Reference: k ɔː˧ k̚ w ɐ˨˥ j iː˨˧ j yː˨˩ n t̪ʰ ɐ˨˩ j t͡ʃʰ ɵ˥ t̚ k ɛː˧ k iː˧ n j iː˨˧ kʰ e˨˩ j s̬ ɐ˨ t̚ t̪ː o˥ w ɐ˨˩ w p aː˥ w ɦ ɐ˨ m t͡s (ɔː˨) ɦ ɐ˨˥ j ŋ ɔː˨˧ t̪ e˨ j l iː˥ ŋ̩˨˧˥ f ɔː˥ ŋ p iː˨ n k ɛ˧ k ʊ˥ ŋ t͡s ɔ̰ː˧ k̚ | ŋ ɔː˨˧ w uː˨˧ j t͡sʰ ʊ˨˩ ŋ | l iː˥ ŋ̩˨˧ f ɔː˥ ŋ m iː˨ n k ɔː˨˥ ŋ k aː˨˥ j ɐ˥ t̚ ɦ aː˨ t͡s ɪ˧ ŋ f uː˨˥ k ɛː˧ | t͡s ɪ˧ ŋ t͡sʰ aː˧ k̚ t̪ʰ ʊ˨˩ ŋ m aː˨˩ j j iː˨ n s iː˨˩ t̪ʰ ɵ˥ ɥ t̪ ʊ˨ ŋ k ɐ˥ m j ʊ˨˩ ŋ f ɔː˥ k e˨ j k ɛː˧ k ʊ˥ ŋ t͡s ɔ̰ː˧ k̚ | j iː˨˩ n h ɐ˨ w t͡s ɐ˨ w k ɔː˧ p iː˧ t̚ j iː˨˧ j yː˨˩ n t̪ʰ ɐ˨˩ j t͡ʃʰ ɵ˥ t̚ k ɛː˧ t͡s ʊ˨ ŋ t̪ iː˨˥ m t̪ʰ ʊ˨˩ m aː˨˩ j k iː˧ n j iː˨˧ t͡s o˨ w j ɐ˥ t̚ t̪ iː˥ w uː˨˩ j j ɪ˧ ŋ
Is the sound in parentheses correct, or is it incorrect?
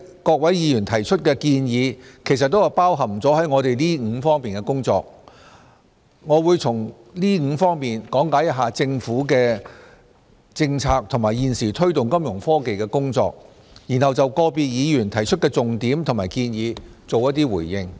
incorrect